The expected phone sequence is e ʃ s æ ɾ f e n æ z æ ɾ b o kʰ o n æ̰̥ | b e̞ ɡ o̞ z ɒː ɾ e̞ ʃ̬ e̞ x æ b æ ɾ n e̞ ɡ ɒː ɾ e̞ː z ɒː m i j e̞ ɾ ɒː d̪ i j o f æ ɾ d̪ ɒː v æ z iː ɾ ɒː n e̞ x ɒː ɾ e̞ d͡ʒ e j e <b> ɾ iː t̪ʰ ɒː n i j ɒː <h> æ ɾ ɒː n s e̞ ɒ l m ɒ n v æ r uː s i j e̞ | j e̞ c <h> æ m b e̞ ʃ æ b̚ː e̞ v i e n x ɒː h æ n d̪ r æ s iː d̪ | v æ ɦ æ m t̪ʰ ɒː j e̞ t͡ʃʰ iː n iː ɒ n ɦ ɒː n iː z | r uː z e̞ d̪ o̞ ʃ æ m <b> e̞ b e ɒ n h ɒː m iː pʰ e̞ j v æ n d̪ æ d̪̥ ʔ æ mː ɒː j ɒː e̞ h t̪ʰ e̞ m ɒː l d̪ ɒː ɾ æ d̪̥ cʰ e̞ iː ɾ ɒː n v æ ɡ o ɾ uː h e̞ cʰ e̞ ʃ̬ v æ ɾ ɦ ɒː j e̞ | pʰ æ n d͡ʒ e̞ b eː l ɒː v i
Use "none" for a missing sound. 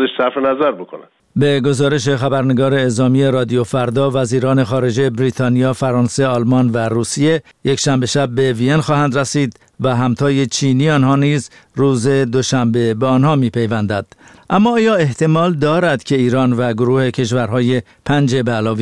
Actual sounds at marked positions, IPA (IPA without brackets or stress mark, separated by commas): b, f, ʃ, b